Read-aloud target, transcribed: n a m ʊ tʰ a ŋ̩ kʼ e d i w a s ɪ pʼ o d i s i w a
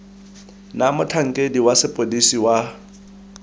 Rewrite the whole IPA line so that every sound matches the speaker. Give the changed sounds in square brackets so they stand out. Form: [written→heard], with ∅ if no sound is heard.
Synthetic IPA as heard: n a m ʊ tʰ a ŋ̩ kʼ e d i w a s ɪ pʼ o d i s i w a